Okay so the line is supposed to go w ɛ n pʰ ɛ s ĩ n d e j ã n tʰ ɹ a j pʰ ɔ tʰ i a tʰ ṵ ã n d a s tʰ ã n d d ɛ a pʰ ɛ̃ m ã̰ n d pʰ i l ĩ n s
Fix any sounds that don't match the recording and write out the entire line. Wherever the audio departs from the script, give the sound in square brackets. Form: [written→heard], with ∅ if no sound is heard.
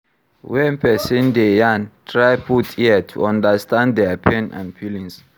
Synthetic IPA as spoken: w ɛ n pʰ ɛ s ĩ n d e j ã n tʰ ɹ a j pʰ [ɔ→u] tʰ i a tʰ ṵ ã n d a s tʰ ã n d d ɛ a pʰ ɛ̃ [m→n] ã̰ n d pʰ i l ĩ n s